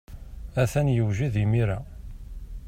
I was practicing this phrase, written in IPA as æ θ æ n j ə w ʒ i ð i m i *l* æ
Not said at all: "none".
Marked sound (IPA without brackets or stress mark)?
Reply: ɾ